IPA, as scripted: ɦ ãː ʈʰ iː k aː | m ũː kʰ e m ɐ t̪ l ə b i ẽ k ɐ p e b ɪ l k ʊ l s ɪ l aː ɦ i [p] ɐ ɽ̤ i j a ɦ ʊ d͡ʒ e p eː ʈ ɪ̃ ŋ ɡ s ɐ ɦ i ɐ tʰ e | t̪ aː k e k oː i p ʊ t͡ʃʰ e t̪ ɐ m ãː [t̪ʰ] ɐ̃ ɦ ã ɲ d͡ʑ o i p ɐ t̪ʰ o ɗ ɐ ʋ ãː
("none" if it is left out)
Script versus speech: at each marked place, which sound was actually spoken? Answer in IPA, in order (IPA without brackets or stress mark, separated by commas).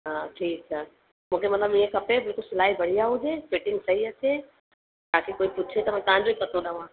b, t̪